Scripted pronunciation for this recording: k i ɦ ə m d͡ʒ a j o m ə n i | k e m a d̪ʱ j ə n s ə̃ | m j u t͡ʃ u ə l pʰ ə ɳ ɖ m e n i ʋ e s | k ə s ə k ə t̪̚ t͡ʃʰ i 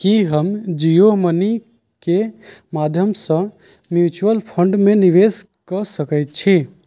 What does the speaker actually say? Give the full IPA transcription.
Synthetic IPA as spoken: k i ɦ ə m d͡ʒ i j o m ə n i | k e m a d̪ʱ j ə m s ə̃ | m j u t͡ʃ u ə l pʰ ə ɳ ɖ m e n i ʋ e s | k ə s ə k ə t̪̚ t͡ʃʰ i